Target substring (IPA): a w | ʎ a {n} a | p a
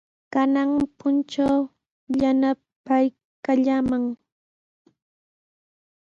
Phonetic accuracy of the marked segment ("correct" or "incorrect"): correct